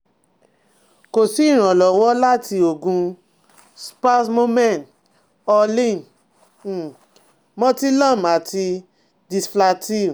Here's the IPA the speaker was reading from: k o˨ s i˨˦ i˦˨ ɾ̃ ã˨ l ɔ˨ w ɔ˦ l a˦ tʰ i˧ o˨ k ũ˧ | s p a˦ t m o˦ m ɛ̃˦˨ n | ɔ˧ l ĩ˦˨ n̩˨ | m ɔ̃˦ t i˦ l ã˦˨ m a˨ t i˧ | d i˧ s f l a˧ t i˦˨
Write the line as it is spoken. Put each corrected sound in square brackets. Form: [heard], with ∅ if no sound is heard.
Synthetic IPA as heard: k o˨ s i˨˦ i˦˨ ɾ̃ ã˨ l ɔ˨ w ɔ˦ l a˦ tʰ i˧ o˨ [ɡ] ũ˧ | s p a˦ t m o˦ m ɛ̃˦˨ n | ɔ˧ l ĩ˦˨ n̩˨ | m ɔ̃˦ t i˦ l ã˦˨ m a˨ t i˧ | d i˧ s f l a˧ t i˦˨